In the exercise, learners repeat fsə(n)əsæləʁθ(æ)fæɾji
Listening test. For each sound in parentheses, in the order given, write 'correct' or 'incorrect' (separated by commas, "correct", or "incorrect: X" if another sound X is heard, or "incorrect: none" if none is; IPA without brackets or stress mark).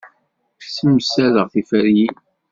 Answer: incorrect: m, incorrect: i